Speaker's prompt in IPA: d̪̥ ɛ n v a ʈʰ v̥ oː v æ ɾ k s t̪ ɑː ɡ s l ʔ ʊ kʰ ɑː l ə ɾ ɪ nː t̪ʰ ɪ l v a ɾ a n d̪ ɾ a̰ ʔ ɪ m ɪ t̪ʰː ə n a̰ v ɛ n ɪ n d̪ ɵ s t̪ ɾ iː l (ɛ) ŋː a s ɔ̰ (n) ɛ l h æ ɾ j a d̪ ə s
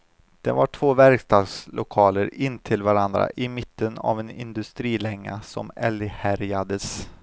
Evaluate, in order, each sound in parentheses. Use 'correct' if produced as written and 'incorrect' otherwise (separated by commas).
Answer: correct, incorrect